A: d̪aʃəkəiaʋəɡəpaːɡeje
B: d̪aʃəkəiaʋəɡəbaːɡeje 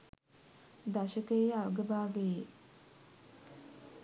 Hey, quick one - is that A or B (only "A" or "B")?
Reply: B